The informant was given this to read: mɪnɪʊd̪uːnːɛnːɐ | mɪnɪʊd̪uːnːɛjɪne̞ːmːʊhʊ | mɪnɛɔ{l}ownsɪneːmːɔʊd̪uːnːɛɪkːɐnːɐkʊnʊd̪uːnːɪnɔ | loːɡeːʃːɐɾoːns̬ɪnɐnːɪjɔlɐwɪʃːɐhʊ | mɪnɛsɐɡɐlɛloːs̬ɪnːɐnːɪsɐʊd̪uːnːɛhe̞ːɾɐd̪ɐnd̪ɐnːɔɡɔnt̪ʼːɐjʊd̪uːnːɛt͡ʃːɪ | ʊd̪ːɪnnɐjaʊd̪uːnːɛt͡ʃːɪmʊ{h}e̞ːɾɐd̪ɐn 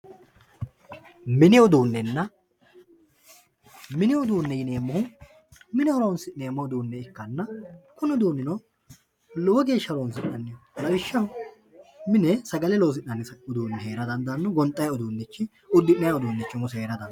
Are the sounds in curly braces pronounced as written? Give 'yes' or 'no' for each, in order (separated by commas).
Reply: no, no